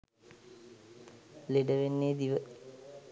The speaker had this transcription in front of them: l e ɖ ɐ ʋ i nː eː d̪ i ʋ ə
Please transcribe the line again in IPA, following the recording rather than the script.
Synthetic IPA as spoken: l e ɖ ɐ ʋ e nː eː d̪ i ʋ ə